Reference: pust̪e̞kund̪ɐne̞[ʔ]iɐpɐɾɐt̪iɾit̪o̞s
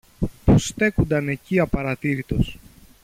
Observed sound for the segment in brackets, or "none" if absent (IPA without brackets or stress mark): c